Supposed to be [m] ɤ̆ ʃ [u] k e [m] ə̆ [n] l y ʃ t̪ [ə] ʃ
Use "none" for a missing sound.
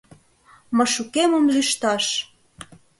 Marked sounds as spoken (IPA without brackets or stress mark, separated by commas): m, u, m, m, ɑ